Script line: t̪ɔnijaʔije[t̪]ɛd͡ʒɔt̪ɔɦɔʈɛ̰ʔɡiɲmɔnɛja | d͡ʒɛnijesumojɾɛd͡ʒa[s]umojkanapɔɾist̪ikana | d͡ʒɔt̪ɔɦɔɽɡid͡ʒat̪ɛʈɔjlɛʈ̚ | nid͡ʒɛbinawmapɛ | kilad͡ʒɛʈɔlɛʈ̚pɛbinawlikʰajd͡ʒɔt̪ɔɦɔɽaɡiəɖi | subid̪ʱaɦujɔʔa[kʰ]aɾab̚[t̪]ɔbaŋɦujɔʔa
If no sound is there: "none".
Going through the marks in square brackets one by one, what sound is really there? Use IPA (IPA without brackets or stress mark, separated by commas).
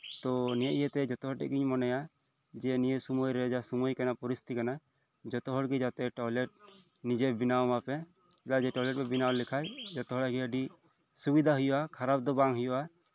t̪, s, kʰ, d̪